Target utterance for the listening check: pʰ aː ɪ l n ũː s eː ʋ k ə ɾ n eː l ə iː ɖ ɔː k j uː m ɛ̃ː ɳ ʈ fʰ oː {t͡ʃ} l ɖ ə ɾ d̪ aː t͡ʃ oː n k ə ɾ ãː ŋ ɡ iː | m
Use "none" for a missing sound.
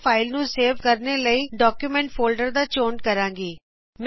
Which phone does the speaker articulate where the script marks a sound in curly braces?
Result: none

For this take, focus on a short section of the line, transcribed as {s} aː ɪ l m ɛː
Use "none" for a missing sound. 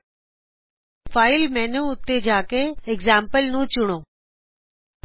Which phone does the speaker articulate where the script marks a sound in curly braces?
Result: f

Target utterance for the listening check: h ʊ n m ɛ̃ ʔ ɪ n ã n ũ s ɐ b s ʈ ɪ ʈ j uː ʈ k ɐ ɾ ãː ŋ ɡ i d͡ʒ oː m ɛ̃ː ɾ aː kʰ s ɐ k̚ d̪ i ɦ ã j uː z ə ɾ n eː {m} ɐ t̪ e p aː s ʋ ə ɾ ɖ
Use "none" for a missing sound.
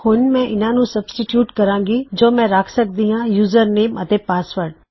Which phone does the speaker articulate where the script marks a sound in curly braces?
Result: m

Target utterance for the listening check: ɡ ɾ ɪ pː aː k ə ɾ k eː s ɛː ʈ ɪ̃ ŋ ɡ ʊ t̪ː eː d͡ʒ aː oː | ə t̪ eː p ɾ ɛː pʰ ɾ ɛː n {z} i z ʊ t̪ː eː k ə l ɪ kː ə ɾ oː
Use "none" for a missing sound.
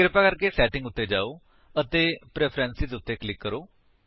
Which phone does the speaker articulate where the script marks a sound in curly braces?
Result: s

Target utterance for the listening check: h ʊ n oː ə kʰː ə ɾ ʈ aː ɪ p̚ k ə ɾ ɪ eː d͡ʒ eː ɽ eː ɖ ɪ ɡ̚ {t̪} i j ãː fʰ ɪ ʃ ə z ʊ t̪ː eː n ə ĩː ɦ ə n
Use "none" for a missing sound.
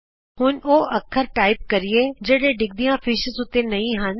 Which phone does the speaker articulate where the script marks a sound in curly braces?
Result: d̪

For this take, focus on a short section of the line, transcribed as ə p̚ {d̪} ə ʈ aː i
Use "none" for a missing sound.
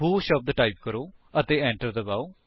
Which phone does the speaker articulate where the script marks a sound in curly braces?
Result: d̪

